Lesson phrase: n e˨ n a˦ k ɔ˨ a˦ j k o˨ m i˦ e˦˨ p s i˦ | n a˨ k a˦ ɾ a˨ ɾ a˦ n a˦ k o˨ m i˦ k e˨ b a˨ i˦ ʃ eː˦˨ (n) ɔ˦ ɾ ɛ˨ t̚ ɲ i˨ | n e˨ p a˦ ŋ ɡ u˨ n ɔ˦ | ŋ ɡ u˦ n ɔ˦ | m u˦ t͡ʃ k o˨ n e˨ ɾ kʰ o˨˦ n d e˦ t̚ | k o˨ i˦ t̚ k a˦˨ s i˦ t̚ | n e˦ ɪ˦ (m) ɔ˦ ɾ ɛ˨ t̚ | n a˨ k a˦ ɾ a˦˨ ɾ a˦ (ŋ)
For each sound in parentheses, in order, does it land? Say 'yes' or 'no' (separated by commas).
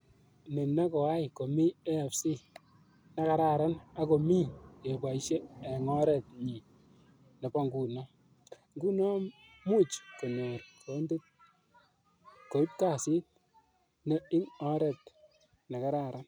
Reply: no, no, no